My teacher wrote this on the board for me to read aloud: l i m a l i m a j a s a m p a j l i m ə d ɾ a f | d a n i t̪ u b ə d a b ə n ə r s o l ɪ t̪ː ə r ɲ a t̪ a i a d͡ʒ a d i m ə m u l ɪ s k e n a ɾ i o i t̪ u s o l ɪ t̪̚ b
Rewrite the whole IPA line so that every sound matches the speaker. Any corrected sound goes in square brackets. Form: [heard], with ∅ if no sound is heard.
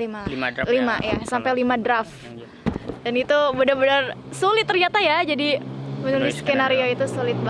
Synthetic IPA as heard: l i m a l i m a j a s a m p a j l i m [a] d ɾ a f | d a n i t̪ u b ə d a b ə n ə r s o l ɪ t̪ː ə r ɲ a t̪ a [j] a d͡ʒ a d i m ə [n] u l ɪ s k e n a ɾ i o i t̪ u s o l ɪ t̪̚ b